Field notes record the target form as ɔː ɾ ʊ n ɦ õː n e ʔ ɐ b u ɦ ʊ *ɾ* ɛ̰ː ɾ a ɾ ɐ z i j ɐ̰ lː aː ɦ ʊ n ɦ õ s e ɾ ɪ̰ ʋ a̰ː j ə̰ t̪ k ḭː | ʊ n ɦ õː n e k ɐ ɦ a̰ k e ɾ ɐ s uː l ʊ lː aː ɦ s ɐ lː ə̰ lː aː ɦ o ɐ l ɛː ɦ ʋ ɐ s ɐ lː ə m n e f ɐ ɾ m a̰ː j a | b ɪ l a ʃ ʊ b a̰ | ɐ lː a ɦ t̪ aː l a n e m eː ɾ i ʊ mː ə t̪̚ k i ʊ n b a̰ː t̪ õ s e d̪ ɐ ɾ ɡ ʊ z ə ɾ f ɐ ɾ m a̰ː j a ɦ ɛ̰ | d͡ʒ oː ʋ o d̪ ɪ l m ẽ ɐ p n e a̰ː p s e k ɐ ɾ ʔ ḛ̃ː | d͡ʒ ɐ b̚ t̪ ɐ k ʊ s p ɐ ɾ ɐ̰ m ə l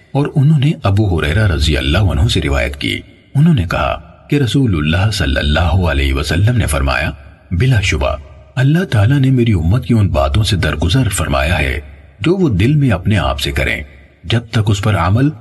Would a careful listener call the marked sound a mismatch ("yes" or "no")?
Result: no